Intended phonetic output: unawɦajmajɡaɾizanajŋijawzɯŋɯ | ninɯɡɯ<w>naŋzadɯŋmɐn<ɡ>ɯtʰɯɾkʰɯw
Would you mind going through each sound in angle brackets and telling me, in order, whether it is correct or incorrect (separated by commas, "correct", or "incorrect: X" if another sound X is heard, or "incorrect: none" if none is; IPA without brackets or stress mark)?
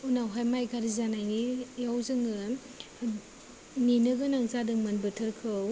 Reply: incorrect: none, incorrect: b